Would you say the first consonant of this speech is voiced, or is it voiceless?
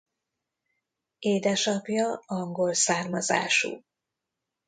voiced